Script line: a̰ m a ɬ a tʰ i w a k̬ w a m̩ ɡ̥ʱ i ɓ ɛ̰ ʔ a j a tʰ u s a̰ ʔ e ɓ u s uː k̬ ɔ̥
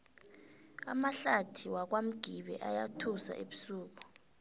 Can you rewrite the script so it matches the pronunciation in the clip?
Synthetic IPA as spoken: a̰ m a ɬ a tʰ i w a k̬ w a m̩ ɡ̥ʱ i ɓ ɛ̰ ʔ a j a tʰ u s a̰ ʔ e ɓ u s uː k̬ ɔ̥